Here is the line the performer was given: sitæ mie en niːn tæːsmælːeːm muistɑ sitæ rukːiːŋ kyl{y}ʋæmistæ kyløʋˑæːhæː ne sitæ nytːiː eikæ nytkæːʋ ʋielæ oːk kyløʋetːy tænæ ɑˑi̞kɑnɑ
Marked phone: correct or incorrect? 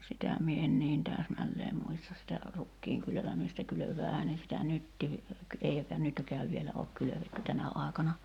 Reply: incorrect